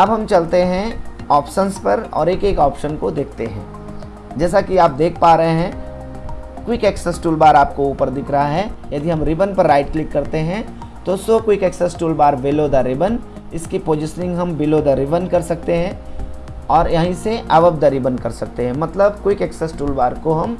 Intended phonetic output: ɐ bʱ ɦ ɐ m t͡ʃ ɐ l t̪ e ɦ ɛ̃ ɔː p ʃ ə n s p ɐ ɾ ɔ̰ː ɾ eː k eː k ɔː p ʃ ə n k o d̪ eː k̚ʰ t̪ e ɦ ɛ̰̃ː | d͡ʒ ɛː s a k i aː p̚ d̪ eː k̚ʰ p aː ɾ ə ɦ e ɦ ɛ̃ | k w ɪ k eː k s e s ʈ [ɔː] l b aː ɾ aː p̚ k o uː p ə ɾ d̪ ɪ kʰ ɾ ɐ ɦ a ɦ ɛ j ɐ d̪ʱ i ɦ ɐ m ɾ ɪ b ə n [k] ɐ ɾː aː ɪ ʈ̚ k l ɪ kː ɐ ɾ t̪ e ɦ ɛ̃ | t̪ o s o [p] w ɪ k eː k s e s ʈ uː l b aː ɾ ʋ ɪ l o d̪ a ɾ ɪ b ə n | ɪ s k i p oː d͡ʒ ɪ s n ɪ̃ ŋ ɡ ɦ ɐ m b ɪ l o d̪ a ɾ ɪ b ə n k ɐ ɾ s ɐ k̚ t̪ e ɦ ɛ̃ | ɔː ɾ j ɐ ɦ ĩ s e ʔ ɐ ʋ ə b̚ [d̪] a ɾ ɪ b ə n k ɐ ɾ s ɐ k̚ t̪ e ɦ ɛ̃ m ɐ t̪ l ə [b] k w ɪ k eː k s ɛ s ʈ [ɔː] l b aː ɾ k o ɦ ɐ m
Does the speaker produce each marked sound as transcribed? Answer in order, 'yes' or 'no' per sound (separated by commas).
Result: no, no, no, yes, yes, no